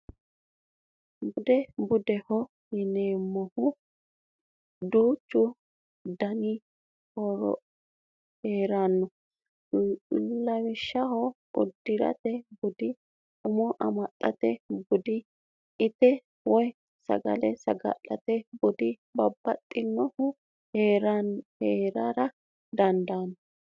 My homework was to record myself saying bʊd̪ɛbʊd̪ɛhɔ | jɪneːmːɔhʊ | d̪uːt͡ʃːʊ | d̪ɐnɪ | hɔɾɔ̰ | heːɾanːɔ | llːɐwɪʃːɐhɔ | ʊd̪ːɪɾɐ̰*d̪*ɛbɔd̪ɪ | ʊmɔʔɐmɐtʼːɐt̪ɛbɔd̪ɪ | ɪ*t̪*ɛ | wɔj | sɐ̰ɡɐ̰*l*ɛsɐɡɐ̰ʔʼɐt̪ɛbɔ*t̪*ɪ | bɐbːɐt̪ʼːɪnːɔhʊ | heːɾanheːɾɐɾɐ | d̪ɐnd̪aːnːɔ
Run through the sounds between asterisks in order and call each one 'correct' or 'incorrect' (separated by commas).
incorrect, correct, correct, incorrect